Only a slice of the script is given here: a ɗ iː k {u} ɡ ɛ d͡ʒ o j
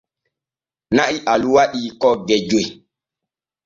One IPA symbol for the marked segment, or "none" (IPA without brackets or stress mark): ɔ